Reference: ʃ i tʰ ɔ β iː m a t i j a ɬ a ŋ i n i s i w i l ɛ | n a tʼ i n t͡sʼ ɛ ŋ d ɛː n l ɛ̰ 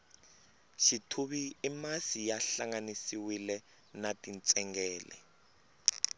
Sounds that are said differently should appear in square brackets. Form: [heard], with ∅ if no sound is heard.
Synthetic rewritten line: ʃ i tʰ [u] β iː m a [s] i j a ɬ a ŋ [a] n i s i w i l ɛ | n a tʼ i n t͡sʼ ɛ ŋ [ɡ] ɛː [∅] l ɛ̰